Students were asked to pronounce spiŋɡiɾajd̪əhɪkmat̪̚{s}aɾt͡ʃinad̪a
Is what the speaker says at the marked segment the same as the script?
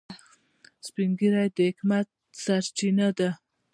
yes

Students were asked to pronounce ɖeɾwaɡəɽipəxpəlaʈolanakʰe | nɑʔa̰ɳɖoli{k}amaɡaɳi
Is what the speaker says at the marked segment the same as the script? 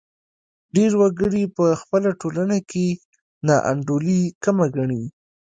yes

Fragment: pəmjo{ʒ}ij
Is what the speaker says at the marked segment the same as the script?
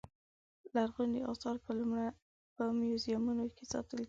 no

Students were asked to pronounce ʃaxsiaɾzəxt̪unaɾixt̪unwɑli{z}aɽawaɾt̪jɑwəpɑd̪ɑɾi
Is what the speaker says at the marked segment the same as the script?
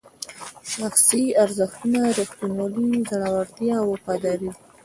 yes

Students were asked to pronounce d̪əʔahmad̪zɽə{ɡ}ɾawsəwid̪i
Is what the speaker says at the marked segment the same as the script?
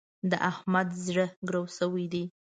yes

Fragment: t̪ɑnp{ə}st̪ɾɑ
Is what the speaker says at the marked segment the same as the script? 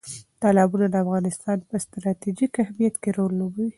yes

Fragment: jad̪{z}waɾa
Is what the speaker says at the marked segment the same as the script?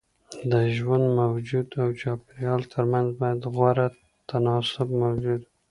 no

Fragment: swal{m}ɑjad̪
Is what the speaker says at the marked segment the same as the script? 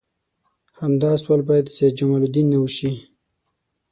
no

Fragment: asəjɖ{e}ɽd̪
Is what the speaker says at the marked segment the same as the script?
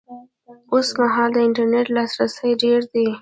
yes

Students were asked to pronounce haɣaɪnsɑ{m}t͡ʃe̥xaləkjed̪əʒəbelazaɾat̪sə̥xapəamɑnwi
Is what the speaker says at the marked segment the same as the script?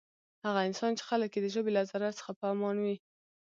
no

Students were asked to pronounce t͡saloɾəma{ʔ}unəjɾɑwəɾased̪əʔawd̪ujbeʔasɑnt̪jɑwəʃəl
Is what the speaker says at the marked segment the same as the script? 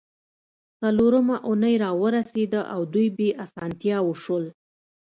yes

